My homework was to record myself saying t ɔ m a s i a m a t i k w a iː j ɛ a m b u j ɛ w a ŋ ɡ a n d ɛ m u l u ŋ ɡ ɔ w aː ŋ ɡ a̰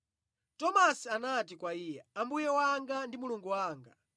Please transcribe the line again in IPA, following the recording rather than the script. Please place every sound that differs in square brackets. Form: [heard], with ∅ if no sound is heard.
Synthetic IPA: t ɔ m a s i a [n] a t i k w a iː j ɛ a m b u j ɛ w a ŋ ɡ a n d [i] m u l u ŋ ɡ [u] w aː ŋ ɡ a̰